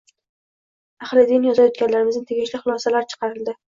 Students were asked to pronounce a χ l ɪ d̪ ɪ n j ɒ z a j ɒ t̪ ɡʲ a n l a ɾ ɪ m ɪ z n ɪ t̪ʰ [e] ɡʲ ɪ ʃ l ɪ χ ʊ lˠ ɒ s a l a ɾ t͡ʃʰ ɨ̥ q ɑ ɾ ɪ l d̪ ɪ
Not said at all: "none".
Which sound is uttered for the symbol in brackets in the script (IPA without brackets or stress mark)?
e